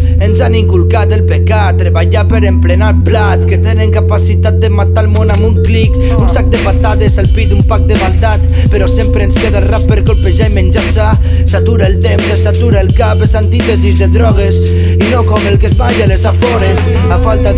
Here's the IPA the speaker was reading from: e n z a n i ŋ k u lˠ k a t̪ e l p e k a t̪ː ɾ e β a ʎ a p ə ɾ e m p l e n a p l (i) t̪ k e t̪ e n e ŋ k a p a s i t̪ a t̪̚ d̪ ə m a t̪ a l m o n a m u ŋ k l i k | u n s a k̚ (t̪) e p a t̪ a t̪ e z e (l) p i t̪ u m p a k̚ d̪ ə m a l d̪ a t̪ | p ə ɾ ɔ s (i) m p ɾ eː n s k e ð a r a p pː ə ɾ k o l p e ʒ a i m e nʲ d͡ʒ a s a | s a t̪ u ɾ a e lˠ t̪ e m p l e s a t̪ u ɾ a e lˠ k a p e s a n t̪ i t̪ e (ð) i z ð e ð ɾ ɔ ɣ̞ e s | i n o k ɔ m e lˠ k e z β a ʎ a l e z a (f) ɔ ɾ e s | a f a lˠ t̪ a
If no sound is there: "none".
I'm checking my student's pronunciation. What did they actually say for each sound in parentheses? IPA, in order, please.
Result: a, d̪, l, e, z, f

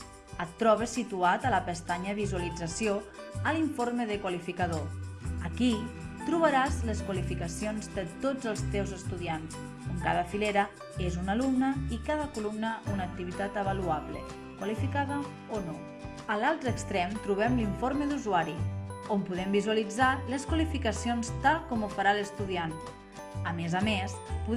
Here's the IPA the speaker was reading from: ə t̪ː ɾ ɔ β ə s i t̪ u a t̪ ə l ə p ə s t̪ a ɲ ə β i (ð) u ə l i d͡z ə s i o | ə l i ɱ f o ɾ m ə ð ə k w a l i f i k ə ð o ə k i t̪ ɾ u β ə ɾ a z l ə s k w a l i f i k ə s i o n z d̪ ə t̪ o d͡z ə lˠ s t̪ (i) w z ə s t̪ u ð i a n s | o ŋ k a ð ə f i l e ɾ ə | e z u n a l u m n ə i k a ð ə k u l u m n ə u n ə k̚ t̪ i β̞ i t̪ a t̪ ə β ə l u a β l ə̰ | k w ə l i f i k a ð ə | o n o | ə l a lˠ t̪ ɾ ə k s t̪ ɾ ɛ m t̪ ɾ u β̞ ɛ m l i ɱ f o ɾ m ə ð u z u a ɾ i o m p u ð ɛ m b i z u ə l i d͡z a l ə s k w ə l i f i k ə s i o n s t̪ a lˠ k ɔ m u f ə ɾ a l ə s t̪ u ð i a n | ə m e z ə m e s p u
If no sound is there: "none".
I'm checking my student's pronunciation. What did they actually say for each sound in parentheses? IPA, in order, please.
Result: z, e

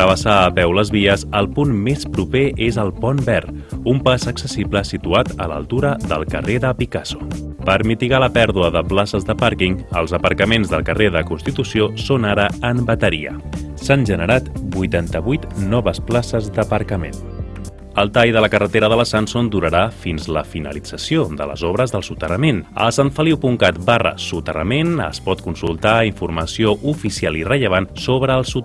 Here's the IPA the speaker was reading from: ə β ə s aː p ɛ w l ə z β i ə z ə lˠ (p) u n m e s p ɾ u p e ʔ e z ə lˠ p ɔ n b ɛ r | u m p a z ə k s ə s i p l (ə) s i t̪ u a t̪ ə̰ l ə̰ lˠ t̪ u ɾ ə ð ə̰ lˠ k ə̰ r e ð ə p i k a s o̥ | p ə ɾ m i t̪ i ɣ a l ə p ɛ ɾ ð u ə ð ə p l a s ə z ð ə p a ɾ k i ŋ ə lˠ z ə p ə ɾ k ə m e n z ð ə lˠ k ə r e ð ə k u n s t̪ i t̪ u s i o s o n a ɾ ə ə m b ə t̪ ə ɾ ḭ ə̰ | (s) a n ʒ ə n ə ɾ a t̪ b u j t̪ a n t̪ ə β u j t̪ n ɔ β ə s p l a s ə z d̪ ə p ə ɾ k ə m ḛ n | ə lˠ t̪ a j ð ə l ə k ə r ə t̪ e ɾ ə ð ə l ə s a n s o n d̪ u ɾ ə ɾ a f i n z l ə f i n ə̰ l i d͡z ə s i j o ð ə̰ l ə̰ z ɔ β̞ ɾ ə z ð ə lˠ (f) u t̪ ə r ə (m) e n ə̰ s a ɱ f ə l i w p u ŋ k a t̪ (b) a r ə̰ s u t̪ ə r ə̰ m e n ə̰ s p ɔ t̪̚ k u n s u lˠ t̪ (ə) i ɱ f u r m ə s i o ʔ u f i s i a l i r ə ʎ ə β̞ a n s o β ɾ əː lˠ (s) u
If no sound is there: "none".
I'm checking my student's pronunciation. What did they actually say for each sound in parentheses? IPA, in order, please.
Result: p, ə, s, s, m, b, a, s

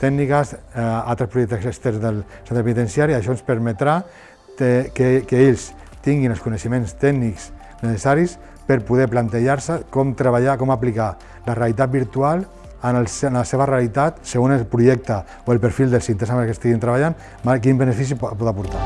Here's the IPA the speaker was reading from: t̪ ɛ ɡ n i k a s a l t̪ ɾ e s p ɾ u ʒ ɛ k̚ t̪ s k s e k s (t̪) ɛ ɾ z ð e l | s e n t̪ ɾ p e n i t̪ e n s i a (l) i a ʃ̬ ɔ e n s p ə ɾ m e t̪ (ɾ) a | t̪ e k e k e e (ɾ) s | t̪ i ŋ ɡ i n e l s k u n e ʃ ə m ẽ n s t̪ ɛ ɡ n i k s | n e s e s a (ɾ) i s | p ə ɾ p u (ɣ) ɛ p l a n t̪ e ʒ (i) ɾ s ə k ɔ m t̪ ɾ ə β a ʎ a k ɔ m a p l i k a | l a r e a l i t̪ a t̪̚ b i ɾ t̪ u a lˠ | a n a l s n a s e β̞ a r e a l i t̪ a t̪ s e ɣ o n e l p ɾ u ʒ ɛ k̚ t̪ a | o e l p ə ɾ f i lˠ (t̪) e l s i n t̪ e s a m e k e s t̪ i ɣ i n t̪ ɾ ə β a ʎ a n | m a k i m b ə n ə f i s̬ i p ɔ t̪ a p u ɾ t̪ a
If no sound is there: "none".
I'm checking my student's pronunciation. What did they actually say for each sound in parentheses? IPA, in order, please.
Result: t̪, ɾ, ɾ, ʎ, ɾ, ð, a, d̪

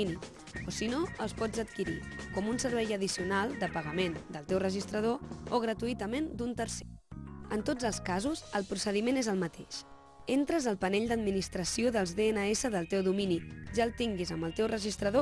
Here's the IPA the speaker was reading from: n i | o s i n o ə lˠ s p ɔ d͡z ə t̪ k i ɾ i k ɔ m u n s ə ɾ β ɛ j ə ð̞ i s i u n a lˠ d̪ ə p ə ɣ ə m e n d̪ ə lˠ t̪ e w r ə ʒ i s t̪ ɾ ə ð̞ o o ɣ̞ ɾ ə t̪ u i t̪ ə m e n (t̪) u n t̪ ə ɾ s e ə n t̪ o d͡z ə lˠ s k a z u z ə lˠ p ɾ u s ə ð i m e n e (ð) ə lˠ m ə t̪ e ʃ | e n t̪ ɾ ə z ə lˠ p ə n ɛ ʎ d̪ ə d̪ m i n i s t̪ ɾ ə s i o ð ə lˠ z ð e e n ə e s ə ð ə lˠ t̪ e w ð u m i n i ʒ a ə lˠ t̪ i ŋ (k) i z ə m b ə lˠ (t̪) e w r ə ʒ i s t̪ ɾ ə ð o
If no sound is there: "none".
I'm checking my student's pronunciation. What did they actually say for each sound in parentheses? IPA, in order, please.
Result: d̪, z, ɡ, t̪

